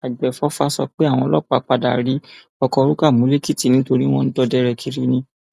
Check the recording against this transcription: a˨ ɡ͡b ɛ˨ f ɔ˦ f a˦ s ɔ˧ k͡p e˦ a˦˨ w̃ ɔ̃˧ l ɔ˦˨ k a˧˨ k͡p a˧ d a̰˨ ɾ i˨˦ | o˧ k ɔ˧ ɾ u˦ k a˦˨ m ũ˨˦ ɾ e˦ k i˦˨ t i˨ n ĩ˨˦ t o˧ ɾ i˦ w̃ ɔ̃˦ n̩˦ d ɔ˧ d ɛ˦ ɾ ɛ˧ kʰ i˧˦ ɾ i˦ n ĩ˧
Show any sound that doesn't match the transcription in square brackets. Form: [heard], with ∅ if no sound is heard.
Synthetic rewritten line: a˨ ɡ͡b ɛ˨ f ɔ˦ f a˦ s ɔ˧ k͡p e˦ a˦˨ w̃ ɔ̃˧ l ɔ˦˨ [k͡p] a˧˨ k͡p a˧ d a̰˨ ɾ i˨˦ | [ɔ˧] k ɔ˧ ɾ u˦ k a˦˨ m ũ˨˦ [l] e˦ k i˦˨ t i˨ n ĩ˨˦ t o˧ ɾ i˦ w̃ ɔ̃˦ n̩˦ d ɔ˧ d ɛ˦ ɾ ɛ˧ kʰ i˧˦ ɾ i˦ n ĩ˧